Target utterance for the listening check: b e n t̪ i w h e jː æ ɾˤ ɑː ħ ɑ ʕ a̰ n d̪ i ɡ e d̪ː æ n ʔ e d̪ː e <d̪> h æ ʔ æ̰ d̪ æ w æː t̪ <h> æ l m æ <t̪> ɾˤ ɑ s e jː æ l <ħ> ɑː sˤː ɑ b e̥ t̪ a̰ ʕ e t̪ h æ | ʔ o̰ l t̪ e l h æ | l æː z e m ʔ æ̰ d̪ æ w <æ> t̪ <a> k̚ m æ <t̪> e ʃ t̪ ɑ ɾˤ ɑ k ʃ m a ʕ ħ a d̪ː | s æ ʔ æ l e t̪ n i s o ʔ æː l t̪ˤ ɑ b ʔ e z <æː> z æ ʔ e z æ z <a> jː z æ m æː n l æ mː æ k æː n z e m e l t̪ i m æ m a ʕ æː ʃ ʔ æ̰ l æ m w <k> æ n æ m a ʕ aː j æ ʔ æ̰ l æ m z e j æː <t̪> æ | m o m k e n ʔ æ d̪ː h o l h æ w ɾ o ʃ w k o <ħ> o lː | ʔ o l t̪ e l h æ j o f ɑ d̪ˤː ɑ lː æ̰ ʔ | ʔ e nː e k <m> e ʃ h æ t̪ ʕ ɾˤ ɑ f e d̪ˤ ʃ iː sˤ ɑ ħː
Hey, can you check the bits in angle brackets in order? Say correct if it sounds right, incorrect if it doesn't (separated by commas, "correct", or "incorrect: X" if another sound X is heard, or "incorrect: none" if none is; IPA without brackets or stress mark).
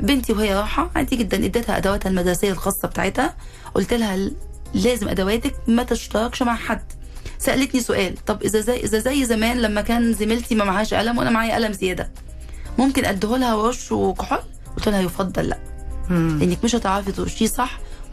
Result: incorrect: t̪, correct, incorrect: d̪, incorrect: x, incorrect: æː, incorrect: æ, correct, incorrect: æ, incorrect: æ, incorrect: ʔ, incorrect: d̪, correct, correct